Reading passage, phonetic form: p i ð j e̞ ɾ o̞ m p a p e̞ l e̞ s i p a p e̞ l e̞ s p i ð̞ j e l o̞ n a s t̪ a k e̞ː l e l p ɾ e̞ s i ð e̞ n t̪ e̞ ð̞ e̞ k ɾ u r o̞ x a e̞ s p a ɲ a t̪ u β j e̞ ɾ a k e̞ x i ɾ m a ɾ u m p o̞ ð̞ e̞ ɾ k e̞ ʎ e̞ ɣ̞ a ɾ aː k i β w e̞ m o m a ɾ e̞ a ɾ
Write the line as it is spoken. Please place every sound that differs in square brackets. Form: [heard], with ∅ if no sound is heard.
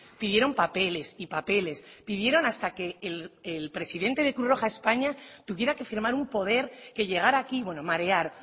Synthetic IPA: p i ð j e̞ ɾ o̞ m p a p e̞ l e̞ s i p a p e̞ l e̞ s p i ð̞ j e [ɾ] o̞ n a s t̪ a k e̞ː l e l p ɾ e̞ s i ð e̞ n t̪ e̞ ð̞ e̞ k ɾ u r o̞ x a e̞ s p a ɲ a t̪ u β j e̞ ɾ a k e̞ [f] i ɾ m a ɾ u m p o̞ ð̞ e̞ ɾ k e̞ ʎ e̞ ɣ̞ a ɾ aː k i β w e̞ [n] o m a ɾ e̞ a ɾ